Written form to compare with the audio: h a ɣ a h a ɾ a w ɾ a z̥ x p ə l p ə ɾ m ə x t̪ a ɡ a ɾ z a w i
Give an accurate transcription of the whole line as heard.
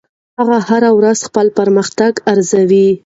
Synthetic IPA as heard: h a ɣ a h a ɾ a w ɾ a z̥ x p ə l p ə ɾ m ə x t̪ a ɡ a ɾ z a w i

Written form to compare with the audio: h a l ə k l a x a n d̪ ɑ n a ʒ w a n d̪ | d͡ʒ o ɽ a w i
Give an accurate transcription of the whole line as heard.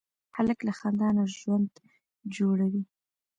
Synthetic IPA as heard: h a l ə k l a x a n d̪ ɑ n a ʒ w a n d̪ | d͡ʒ o ɽ a w i

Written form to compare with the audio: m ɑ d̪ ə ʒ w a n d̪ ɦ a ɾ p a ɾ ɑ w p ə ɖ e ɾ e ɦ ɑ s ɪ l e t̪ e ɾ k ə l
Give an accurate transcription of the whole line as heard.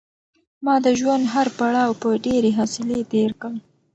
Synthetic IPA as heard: m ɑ d̪ ə ʒ w a n d̪ ɦ a ɾ p a ɽ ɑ w p ə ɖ e ɾ e ɦ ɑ s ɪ l e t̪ e ɾ k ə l

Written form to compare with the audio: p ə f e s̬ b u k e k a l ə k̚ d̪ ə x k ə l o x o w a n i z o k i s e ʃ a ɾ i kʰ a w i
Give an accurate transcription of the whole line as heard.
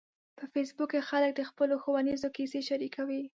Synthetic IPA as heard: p ə f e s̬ b u k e x a l ə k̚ d̪ ə x p ə l o x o w a n i z o k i s e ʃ a ɾ i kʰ a w i

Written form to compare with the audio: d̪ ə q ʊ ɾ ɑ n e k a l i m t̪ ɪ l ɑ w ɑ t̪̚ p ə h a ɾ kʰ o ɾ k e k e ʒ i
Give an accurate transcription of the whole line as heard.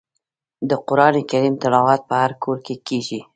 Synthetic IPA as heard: d̪ ə q ʊ ɾ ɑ n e k a ɾ i m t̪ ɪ l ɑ w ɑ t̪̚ p ə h a ɾ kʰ o ɾ k e k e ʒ i

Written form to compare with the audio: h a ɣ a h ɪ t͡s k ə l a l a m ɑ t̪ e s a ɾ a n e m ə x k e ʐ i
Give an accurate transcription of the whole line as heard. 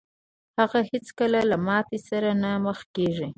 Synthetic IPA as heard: h a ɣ a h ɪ t͡s k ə l a l a m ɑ t̪ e s a ɾ a n a m ə x k e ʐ i

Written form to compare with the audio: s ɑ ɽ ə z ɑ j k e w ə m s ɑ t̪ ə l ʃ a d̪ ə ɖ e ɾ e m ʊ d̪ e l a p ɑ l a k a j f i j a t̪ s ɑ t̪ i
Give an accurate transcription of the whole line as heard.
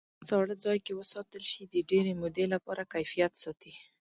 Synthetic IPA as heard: s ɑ ɽ ə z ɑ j k e w ə s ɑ t̪ ə l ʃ i d̪ ə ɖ e ɾ e m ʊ d̪ e l a p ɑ ɾ a k a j f i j a t̪ s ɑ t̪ i

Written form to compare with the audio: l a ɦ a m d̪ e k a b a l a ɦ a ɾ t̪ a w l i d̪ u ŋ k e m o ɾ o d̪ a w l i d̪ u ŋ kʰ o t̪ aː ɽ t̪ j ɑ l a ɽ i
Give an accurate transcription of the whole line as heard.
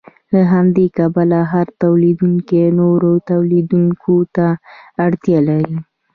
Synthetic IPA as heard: l a ɦ a m d̪ e k a b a l a ɦ a ɾ t̪ a w l i d̪ u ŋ k e n o ɾ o t̪ a w l i d̪ u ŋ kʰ o t̪ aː ɽ t̪ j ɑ l a ɾ i

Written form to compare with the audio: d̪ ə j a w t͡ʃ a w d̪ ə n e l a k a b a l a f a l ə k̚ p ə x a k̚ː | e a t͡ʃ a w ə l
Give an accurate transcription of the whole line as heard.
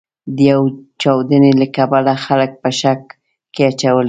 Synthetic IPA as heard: d̪ ə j a w t͡ʃ a w d̪ ə n e l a k a b a l a x a l ə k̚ p ə ʃ a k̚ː | e a t͡ʃ a w ə l

